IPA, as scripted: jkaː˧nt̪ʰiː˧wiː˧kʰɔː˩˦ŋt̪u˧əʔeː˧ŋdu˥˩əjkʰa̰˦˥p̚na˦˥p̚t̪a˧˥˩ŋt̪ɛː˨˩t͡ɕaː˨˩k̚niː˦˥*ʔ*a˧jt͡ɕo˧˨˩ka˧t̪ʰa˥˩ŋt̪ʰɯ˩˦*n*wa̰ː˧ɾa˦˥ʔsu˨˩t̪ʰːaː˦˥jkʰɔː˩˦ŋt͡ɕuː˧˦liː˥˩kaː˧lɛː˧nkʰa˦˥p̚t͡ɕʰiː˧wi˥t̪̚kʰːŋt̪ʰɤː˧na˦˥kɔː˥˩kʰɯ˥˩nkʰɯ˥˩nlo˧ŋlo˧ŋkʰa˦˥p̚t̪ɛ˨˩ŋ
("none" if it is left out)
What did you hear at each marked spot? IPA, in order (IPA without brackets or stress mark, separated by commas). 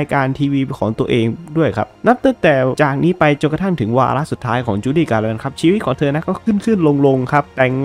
p, ŋ